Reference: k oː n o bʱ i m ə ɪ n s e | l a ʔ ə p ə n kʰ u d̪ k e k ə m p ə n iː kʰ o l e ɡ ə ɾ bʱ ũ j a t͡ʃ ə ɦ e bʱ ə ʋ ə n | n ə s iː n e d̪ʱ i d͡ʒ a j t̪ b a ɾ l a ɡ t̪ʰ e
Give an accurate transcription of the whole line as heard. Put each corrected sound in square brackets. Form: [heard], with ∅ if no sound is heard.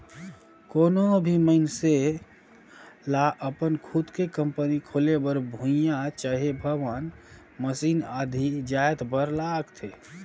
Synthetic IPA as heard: k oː n o bʱ i m ə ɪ n s e | l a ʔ ə p ə n kʰ u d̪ k e k ə m p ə n [i] kʰ o l e [b] ə ɾ bʱ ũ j a t͡ʃ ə ɦ e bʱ ə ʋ ə n | [m] ə s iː n [a] d̪ʱ i d͡ʒ a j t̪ b [ə] ɾ l a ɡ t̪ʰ e